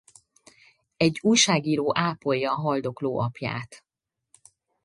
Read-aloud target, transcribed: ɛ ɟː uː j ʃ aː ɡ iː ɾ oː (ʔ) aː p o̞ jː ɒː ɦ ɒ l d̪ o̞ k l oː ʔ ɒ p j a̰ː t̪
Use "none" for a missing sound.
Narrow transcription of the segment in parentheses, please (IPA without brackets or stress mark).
ʔ